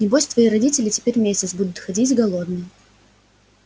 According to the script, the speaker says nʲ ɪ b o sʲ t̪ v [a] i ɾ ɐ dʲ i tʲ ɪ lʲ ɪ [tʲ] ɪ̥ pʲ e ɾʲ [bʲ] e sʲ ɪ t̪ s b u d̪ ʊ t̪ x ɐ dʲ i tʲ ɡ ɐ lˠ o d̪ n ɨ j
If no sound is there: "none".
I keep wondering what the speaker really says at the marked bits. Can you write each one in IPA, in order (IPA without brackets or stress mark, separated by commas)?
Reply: ɐ, tʲ, mʲ